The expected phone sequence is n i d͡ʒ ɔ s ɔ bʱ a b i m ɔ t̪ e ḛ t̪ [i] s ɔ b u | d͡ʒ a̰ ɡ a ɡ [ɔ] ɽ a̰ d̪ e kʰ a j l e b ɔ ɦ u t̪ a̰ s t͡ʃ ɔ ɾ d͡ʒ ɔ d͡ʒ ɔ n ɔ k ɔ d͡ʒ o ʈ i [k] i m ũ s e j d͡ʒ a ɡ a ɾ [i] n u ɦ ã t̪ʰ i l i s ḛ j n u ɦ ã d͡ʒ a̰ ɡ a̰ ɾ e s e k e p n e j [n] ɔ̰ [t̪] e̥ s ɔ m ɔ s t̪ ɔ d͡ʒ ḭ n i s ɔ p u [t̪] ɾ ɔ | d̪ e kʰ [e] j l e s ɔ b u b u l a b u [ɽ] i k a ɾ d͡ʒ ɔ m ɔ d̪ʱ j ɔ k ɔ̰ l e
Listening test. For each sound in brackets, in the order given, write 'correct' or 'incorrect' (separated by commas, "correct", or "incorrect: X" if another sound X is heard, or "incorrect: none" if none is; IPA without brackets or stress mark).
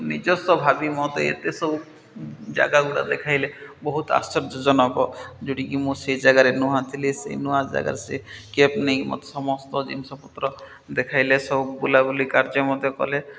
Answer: incorrect: e, incorrect: u, correct, incorrect: e, incorrect: m, correct, correct, incorrect: a, incorrect: l